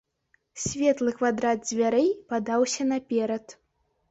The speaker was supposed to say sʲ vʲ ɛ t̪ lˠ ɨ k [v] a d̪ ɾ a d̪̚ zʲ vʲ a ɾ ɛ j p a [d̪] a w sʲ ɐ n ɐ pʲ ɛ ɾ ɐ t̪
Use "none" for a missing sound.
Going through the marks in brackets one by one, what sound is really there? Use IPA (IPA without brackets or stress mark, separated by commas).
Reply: v, d̪